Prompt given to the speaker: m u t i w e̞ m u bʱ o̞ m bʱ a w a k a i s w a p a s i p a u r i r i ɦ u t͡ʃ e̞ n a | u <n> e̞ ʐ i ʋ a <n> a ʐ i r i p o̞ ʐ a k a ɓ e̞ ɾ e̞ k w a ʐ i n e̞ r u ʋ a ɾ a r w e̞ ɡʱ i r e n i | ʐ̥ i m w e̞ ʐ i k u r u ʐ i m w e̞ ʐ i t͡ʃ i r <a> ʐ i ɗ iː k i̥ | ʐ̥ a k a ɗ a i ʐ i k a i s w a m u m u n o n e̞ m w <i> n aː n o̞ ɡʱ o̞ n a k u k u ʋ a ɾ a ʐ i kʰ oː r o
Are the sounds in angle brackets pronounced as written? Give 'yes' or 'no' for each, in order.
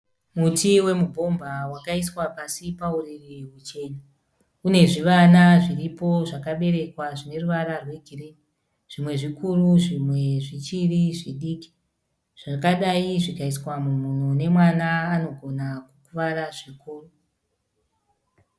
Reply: yes, yes, no, no

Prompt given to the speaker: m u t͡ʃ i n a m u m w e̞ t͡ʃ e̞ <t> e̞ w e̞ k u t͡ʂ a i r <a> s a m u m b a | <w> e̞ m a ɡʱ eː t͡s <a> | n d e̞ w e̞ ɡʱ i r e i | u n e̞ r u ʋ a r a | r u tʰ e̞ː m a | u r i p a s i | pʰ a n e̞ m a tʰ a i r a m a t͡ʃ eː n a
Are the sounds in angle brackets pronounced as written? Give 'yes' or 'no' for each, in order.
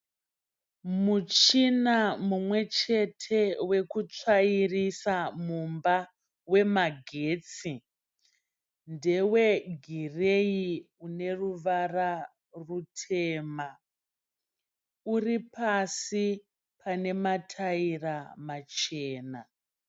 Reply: no, no, yes, no

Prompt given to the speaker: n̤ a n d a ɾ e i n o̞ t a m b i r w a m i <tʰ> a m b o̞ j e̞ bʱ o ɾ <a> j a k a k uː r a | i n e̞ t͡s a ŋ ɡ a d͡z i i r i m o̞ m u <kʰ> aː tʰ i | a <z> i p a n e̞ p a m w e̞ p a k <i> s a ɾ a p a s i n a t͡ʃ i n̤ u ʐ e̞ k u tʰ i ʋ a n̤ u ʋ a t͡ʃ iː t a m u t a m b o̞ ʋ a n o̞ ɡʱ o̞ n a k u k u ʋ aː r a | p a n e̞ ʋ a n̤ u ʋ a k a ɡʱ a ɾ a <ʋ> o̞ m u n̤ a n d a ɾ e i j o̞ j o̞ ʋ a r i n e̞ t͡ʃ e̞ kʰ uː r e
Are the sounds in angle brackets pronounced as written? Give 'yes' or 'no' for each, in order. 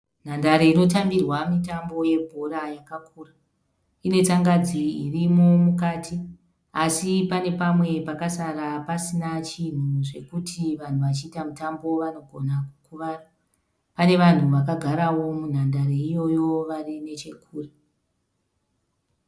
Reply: no, yes, no, no, no, no

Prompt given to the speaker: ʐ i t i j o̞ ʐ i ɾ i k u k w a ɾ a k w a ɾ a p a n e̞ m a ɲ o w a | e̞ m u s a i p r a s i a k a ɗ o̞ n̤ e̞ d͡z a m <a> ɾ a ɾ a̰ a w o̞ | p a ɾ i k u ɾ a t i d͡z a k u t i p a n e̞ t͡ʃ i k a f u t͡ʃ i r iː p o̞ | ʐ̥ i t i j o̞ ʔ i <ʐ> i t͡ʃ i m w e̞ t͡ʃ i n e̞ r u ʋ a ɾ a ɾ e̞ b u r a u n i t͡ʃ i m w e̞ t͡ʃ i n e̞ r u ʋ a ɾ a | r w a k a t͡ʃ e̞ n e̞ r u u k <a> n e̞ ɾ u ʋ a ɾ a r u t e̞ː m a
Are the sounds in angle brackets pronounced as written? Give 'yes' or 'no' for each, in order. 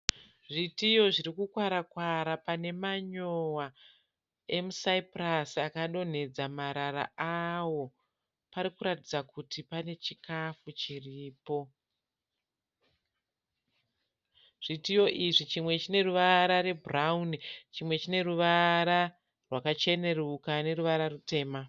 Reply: yes, yes, yes

